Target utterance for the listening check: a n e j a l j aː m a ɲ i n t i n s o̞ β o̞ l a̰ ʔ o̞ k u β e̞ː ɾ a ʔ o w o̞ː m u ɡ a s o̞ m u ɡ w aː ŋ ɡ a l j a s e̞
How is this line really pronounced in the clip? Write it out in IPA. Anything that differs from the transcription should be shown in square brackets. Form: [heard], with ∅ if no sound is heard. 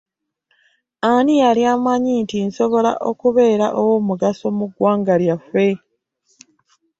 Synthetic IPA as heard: a n [i] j a l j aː m a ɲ i n t i n s o̞ β o̞ l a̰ ʔ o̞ k u β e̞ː ɾ a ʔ o w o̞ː m u ɡ a s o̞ m u ɡ w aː ŋ ɡ a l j a [f] e̞